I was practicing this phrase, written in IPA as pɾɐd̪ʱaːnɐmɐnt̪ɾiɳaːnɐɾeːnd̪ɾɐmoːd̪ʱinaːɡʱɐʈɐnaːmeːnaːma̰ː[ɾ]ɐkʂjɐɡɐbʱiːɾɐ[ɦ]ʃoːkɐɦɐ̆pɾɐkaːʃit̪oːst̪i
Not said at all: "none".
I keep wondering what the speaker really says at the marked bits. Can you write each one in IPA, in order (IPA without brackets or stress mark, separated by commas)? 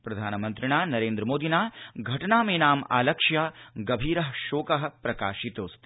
l, ɦ